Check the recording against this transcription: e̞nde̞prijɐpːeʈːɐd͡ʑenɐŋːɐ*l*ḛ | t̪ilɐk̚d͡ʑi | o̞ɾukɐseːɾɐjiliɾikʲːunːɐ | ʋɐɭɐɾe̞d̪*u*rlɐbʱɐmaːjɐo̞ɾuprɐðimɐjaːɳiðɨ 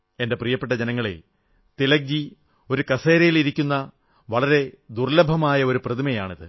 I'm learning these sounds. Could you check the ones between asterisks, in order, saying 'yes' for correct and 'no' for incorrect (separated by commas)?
no, yes